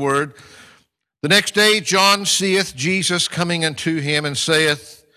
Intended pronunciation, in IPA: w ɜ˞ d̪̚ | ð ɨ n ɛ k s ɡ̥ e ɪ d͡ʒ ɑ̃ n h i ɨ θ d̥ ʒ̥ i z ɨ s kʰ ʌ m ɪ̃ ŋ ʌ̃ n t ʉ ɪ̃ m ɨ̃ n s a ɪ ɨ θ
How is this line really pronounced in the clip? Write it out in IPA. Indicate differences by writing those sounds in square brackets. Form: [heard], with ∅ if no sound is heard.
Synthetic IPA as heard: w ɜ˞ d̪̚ | ð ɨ n ɛ k s [d̥] e ɪ d͡ʒ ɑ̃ n [s] i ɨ θ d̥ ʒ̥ i z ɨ s kʰ ʌ m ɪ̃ ŋ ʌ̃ n [tʰ] ʉ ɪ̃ m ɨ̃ n s [e] ɪ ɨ θ